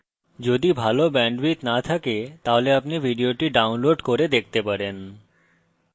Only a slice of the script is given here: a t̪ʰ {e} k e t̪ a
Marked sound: incorrect: a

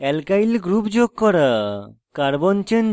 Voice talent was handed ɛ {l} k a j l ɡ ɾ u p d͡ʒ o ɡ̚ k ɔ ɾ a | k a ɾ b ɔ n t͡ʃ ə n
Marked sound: correct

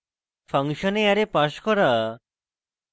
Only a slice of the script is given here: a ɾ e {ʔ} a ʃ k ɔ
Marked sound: incorrect: p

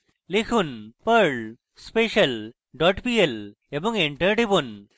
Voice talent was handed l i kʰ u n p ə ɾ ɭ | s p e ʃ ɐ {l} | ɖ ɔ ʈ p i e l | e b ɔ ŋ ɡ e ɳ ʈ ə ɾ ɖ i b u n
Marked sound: correct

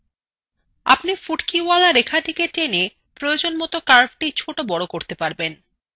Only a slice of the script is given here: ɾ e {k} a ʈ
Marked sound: incorrect: kʰ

